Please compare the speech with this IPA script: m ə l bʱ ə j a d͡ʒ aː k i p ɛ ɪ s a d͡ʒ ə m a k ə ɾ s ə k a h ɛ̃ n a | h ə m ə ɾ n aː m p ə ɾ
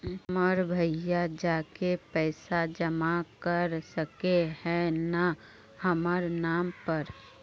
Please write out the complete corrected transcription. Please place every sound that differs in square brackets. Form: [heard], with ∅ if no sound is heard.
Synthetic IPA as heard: m ə [ɾ] bʱ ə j a d͡ʒ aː k [e] p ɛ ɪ s a d͡ʒ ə m a k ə ɾ s ə k [e] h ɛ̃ n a | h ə m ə ɾ n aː m p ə ɾ